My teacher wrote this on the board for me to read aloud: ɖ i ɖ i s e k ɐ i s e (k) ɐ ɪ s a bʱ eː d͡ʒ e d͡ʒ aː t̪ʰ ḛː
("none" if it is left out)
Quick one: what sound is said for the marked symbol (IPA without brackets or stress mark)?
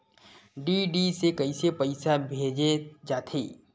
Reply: p